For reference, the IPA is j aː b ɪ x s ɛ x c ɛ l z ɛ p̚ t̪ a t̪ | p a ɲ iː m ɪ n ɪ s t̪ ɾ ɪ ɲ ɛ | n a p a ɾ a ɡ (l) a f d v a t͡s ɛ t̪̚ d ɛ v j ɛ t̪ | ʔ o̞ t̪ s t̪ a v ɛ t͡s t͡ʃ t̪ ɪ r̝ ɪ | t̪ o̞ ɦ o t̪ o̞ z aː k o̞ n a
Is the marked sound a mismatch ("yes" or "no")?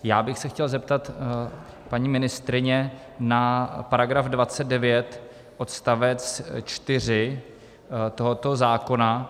yes